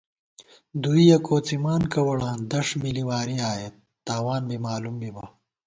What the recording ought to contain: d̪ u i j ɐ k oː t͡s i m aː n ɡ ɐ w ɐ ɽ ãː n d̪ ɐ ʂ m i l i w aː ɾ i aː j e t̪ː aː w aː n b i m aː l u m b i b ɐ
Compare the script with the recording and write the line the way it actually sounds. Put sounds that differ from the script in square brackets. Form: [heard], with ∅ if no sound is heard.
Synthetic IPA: d̪ u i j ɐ k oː t͡s i m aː n [k] ɐ w ɐ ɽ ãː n d̪ ɐ ʂ m i l i w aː ɾ i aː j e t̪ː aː w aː n b i m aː l u m b i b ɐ